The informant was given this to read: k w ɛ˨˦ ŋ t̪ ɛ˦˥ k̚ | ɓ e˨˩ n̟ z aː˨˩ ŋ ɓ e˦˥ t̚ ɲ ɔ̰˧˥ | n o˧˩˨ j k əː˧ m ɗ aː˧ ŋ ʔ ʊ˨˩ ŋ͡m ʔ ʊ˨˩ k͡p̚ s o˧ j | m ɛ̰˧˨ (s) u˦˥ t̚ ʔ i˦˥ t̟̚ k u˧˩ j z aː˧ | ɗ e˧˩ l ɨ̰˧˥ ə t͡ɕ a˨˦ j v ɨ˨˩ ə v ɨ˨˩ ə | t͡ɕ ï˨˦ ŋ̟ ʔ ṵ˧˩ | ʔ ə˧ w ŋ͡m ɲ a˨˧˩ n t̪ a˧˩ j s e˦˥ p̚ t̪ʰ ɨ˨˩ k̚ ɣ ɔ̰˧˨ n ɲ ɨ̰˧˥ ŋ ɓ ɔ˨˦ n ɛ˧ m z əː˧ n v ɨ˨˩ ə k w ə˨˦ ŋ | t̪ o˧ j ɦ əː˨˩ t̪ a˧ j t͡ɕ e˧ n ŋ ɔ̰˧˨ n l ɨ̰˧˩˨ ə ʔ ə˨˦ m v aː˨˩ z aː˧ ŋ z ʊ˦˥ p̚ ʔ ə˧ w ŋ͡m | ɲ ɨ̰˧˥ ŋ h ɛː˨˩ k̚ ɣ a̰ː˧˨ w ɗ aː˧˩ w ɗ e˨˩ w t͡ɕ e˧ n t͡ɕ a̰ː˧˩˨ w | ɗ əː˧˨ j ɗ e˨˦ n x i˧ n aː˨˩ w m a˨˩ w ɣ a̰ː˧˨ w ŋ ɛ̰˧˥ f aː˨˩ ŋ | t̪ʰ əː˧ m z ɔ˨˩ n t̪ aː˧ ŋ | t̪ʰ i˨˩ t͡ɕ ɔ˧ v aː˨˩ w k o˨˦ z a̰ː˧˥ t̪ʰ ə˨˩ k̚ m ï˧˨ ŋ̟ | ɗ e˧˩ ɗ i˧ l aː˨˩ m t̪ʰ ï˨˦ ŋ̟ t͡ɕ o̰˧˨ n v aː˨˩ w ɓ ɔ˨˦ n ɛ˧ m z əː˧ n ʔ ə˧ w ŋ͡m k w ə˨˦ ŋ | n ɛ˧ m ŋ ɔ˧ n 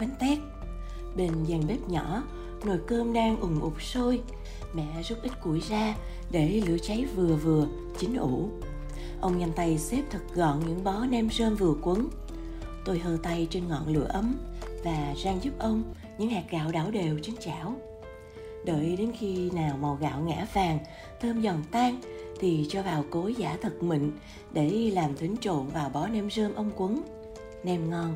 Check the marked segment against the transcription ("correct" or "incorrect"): incorrect